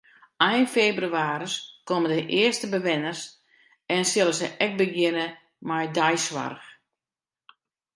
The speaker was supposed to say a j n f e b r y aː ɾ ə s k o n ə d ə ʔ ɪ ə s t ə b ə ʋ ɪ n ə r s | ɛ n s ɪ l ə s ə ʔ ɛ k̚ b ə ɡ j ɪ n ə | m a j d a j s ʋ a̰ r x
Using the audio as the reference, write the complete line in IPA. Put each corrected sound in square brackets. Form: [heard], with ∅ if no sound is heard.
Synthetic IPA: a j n f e b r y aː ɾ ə s k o [m] ə d ə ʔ ɪ ə s t ə b ə ʋ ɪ n ə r s | ɛ n s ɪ l ə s ə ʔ ɛ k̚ b ə ɡ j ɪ n ə | m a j d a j s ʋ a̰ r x